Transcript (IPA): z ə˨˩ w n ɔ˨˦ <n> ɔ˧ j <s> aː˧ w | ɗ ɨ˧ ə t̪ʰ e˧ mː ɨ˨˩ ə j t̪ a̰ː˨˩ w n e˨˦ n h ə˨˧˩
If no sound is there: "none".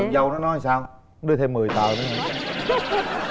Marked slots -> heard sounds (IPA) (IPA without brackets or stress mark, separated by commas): n, s